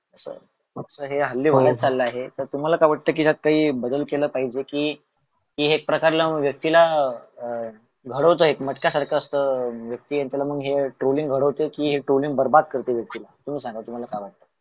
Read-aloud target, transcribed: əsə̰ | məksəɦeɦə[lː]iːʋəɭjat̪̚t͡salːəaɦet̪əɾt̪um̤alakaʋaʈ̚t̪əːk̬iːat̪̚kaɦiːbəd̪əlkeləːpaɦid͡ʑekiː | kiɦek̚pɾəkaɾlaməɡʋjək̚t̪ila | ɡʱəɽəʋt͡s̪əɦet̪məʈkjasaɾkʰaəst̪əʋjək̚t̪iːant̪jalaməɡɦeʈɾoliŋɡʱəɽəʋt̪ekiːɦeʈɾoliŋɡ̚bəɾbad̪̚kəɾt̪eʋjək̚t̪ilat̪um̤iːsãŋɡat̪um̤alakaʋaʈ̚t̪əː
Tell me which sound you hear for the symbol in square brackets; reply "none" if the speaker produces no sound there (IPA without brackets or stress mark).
lː